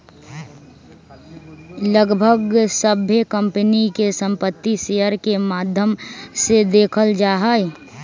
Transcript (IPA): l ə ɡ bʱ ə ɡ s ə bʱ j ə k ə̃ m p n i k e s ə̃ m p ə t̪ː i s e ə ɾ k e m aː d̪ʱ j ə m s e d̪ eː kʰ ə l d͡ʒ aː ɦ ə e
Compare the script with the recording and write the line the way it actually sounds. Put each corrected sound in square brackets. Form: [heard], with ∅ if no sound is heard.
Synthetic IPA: l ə ɡ bʱ ə ɡ s ə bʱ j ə k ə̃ m p n i k e s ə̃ m p ə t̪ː i s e ə ɾ k e m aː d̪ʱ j ə m s e d̪ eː kʰ ə l d͡ʒ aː ɦ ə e

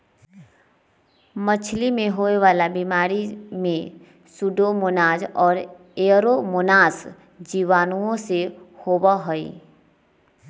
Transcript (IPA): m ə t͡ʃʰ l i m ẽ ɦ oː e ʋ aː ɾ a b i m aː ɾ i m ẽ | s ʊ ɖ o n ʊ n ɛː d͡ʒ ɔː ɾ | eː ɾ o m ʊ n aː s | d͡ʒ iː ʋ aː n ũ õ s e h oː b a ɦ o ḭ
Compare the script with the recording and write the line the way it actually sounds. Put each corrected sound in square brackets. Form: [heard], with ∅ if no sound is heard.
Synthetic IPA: m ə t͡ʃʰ l i m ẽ ɦ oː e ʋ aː [l] a b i m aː ɾ i m ẽ | s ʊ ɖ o [m] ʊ n [aː] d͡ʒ ɔː ɾ | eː ɾ o m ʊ n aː s | d͡ʒ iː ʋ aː n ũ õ s e h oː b a ɦ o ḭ

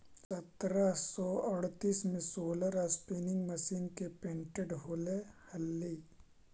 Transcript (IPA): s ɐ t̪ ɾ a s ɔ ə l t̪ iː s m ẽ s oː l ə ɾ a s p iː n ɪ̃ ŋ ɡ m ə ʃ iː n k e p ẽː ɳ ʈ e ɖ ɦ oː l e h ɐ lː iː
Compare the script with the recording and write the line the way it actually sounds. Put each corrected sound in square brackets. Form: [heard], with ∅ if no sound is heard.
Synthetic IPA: s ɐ t̪ ɾ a s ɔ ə [ɽ] t̪ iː s m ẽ s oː l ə ɾ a s p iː n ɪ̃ ŋ ɡ m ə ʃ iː n k e p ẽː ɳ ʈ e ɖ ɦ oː l e h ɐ lː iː

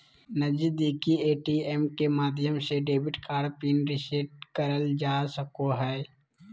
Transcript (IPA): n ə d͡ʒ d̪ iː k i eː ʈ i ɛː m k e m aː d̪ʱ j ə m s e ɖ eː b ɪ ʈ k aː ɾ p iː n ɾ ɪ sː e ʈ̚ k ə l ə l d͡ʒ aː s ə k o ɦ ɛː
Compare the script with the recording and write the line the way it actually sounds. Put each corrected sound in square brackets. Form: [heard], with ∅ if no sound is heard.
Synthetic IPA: n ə d͡ʒ d̪ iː k i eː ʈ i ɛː m k e m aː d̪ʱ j ə m s e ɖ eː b ɪ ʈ k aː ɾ p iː n ɾ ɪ [s] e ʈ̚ k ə [ɾ] ə l d͡ʒ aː s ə k o ɦ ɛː

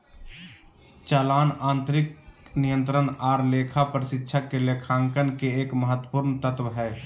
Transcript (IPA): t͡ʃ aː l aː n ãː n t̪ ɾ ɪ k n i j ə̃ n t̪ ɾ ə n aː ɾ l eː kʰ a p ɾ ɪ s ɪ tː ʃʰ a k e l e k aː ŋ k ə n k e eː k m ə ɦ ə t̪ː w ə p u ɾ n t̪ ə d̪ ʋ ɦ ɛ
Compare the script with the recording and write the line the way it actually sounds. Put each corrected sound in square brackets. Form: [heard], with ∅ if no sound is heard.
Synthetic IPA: t͡ʃ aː l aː n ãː n t̪ ɾ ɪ k n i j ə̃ n t̪ ɾ ə n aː ɾ l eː kʰ a p ɾ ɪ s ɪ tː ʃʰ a k e l e [kʰ] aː ŋ k ə n k e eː k m ə ɦ ə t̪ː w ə p u ɾ n t̪ ə [t̪] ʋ ɦ ɛ

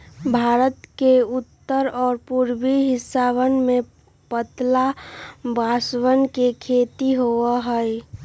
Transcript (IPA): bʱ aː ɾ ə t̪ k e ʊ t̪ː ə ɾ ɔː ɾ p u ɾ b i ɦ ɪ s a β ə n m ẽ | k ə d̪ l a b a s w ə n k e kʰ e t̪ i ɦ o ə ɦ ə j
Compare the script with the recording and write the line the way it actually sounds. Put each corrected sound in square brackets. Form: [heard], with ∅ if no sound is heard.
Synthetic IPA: bʱ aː ɾ ə t̪ k e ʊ t̪ː ə ɾ ɔː ɾ p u ɾ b i ɦ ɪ s a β ə n m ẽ | [p] ə [t̪] l a b a s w ə n k e kʰ e t̪ i ɦ o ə ɦ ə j

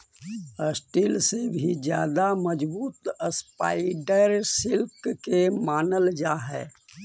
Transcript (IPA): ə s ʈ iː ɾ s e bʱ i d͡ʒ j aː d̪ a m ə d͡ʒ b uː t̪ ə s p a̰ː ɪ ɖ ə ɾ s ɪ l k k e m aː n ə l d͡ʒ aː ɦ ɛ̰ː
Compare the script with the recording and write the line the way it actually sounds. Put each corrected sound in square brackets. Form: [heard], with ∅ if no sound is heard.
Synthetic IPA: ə s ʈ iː [l] s e bʱ i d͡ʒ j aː d̪ a m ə d͡ʒ b uː t̪ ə s p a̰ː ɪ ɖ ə ɾ s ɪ l k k e m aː n ə l d͡ʒ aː ɦ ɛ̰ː

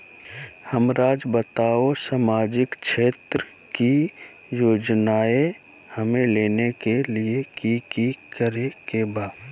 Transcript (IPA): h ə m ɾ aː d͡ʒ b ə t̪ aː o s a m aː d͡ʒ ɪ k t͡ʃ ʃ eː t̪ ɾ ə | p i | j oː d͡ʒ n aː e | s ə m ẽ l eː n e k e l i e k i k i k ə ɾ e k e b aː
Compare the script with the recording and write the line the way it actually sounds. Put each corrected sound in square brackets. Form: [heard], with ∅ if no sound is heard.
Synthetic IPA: h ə m ɾ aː d͡ʒ b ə t̪ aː o s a m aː d͡ʒ ɪ k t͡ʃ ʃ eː t̪ ɾ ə | [k] i | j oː d͡ʒ n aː e | [h] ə m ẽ l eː n e k e l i e k i k i k ə ɾ e k e b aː

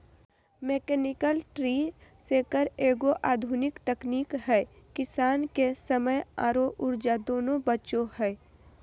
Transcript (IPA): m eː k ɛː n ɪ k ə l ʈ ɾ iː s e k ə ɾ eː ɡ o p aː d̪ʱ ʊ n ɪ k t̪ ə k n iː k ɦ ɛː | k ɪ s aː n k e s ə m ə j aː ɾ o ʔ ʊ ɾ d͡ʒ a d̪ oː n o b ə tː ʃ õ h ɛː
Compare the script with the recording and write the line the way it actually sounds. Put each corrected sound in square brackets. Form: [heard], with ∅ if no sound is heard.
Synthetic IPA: m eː k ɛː n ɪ k ə l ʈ ɾ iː s e k ə ɾ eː ɡ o [ʔ] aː d̪ʱ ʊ n ɪ k t̪ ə k n iː k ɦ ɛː | k ɪ s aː n k e s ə m ə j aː ɾ o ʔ ʊ ɾ d͡ʒ a d̪ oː n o b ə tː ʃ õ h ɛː

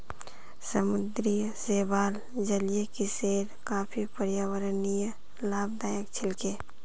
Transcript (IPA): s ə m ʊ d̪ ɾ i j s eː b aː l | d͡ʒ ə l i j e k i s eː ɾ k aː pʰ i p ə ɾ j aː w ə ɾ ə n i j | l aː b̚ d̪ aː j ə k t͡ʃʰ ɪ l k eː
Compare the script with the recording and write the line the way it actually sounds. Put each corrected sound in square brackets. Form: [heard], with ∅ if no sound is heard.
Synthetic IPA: s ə m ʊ d̪ ɾ i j s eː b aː l | d͡ʒ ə l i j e k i s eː ɾ k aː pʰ i p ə ɾ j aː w ə ɾ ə n i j | l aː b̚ d̪ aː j ə k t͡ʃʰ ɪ l k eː

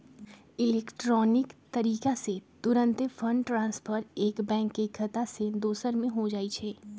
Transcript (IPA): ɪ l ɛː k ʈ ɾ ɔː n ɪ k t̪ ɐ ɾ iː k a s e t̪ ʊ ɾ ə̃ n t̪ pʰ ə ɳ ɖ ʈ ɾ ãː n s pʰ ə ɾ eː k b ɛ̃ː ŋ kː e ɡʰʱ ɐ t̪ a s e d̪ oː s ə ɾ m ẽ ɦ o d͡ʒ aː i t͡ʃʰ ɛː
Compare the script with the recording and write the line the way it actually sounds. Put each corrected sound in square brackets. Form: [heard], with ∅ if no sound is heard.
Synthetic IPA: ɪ l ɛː k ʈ ɾ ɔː n ɪ k t̪ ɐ ɾ iː k a s e t̪ ʊ ɾ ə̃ n t̪ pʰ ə ɳ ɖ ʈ ɾ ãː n s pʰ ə ɾ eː k b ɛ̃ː ŋ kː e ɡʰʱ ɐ t̪ a s e d̪ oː s ə ɾ m ẽ ɦ o d͡ʒ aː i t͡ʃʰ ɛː

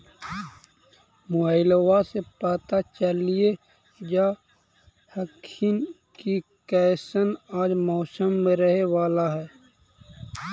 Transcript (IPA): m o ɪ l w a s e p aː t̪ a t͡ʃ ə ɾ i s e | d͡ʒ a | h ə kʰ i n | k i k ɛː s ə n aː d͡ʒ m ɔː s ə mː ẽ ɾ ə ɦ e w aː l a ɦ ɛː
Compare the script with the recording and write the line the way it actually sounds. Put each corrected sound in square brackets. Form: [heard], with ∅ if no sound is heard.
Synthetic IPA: m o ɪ l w a s e p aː t̪ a t͡ʃ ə [l] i [∅] e | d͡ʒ a | h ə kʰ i n | k i k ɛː s ə n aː d͡ʒ m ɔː s ə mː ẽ ɾ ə ɦ e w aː l a ɦ ɛː

